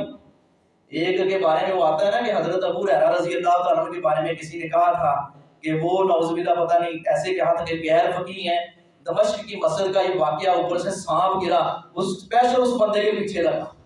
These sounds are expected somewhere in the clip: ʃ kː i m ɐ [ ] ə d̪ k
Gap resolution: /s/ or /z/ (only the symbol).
s